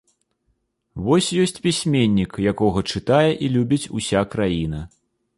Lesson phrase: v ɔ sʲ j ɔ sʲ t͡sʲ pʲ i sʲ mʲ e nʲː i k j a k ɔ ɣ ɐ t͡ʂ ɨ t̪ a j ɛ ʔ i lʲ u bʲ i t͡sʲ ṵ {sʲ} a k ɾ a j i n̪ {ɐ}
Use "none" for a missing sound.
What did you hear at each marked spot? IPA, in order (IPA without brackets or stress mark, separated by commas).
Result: sʲ, ɐ